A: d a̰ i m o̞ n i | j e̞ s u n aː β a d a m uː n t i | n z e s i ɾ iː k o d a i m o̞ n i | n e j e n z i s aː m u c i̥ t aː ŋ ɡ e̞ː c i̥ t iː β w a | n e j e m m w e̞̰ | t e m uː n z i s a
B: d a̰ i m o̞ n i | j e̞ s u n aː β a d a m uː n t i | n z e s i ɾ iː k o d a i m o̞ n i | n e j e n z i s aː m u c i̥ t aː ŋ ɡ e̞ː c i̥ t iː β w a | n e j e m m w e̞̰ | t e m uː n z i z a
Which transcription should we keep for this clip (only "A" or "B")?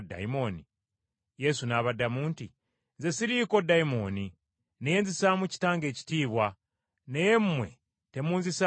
A